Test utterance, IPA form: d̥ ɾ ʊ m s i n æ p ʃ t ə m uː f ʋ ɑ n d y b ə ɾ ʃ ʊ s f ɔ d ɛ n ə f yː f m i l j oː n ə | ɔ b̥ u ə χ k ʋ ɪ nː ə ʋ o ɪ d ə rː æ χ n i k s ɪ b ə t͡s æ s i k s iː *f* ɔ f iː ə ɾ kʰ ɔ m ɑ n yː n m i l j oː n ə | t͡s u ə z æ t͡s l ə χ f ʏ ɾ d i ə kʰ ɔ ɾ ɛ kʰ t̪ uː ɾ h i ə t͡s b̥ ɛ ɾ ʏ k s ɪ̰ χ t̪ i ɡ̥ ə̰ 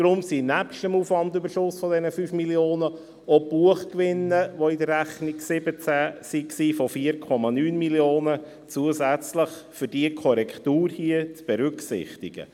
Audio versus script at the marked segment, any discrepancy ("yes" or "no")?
no